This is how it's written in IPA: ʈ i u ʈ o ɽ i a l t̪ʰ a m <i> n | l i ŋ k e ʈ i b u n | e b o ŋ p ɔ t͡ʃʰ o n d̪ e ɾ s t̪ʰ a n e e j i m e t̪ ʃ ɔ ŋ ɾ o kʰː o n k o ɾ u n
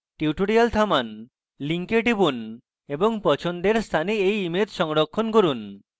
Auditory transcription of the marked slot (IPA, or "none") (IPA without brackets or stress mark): a